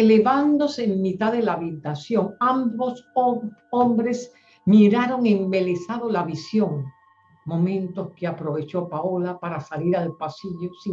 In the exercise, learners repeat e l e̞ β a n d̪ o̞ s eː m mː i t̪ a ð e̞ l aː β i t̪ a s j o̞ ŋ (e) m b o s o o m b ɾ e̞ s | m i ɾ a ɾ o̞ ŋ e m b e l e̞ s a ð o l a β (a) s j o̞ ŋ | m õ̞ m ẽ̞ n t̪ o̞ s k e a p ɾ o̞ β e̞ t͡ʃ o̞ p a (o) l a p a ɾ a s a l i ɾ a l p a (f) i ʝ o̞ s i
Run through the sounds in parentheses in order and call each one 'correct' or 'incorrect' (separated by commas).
incorrect, incorrect, correct, incorrect